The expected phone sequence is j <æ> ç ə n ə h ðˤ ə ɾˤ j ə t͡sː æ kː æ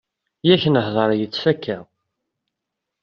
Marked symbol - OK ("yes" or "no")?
yes